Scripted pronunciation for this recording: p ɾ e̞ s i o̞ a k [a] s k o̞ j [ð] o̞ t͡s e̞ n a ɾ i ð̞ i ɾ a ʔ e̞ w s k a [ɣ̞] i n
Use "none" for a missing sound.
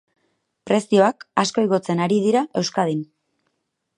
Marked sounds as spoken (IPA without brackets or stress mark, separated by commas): a, ɣ, ð̞